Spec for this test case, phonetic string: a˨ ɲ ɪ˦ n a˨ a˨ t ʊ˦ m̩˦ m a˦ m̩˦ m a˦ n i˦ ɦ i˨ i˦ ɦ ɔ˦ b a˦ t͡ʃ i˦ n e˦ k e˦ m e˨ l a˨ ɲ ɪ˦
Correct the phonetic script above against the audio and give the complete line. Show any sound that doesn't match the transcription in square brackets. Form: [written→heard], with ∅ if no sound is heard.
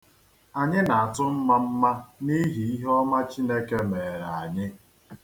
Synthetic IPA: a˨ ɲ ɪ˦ n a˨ a˨ t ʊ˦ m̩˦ m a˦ m̩˦ m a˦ n i˦ ɦ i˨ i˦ ɦ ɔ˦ [b→m] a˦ t͡ʃ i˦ n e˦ k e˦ m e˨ [l→ɾ] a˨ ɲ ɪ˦

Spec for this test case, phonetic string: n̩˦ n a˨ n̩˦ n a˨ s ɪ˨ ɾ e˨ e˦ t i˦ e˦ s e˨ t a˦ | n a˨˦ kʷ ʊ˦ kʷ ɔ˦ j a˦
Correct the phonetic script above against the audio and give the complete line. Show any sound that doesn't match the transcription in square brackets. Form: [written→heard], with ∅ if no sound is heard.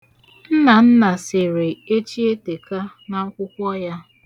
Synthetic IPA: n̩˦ n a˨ n̩˦ n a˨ s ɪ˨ ɾ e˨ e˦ [t→t͡ʃ] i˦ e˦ [s→t] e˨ [t→k] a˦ | n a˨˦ kʷ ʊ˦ kʷ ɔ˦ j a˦

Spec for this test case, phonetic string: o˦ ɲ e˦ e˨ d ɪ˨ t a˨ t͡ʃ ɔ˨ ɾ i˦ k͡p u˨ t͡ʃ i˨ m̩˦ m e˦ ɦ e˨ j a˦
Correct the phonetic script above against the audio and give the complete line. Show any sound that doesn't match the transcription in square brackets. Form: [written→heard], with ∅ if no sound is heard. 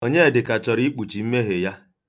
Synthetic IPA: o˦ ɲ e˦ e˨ d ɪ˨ [t→k] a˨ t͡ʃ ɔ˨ ɾ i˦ k͡p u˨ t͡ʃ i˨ m̩˦ m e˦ ɦ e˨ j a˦

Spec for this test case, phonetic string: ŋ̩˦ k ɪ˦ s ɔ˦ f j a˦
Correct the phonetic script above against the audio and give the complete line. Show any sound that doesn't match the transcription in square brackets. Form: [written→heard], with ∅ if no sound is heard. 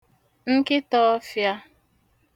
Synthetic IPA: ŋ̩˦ k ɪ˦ [s→t] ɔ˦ f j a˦

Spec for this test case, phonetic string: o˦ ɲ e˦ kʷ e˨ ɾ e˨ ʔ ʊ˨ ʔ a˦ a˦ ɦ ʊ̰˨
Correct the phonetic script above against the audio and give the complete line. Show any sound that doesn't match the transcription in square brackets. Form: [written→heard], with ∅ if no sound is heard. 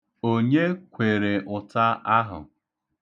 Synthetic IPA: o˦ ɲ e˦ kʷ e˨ ɾ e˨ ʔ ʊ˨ [ʔ→t] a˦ a˦ ɦ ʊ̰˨

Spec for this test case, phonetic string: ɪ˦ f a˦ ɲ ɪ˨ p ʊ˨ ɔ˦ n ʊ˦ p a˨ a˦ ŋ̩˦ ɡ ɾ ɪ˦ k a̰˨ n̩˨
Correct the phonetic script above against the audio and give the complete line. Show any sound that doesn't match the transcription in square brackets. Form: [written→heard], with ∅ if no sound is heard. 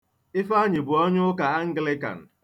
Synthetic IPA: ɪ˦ f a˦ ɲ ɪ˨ [p→b] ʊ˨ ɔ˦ [n→ɲ] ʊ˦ [p→k] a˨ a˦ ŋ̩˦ ɡ [ɾ→l] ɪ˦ k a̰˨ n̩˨

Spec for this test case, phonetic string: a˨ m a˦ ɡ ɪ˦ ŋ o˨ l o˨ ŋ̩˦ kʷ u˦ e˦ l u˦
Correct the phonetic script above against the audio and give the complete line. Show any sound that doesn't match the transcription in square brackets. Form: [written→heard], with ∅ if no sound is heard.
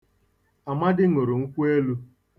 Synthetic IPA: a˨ m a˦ [ɡ→d] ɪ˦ ŋ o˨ [l→ɾ] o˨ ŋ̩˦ kʷ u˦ e˦ l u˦

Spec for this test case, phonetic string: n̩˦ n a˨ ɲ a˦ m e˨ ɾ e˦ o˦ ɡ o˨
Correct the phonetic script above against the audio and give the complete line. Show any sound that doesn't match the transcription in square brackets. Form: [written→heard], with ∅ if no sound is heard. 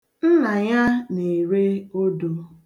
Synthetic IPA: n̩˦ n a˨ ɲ a˦ [m→n] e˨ ɾ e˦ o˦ [ɡ→d] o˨

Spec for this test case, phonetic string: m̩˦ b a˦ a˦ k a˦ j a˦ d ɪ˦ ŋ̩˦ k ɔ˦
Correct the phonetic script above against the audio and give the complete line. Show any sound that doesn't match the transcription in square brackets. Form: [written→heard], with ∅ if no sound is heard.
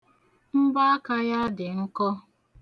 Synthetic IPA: m̩˦ b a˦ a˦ k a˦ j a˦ d [ɪ˦→ɪ˨] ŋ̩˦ k ɔ˦

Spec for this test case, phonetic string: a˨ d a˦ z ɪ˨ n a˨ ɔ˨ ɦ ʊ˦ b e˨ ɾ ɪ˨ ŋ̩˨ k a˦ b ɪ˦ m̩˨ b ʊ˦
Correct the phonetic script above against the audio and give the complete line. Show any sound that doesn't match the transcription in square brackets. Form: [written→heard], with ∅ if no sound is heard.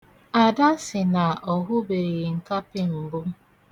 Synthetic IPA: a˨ d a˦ [z→s] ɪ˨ n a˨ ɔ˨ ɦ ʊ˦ b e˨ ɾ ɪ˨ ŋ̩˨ k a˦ [b→p] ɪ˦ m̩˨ b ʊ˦

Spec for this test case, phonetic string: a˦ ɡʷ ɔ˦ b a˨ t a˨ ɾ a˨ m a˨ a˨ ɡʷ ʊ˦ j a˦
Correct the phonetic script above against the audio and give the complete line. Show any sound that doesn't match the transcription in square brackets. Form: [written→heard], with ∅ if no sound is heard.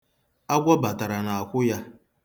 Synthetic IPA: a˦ ɡʷ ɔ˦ b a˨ t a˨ ɾ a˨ [m→n] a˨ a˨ [ɡʷ→kʷ] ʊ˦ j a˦

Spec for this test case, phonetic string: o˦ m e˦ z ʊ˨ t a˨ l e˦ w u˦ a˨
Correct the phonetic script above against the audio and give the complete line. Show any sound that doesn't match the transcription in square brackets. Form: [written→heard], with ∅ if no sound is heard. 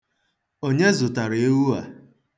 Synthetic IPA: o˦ [m→ɲ] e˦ z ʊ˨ t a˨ [l→ɾ] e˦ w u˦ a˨

